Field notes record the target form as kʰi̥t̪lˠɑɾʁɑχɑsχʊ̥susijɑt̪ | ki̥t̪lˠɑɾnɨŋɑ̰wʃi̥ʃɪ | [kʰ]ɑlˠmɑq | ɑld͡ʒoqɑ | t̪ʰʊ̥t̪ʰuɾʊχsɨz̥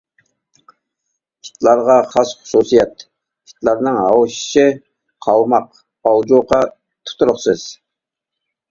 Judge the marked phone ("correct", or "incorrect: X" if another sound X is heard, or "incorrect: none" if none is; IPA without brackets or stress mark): incorrect: qʰ